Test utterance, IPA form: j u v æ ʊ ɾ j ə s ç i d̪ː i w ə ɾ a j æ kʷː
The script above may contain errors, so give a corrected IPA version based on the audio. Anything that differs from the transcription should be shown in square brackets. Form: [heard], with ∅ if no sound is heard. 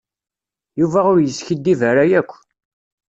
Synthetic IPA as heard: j u v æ ʊ ɾ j ə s ç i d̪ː i [v] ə ɾ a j æ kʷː